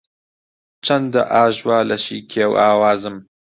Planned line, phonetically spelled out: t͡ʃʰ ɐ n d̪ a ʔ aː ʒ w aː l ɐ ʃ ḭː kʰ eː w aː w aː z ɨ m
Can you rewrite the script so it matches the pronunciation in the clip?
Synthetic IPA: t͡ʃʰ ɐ n d̪ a ʔ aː ʒ w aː l ɐ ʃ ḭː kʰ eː w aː w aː z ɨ m